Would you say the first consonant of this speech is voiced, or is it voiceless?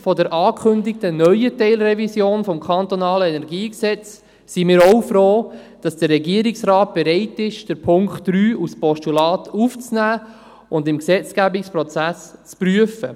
voiceless